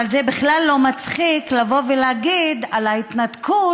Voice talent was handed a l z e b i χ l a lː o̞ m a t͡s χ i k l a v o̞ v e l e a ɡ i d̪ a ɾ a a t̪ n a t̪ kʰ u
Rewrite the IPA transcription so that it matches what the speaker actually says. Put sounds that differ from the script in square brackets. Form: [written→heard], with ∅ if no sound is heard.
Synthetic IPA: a l z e b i χ l a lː o̞ m a t͡s χ i k l a v o̞ v e l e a ɡ i d̪ a [ɾ→l] a [a→i] t̪ n a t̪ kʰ u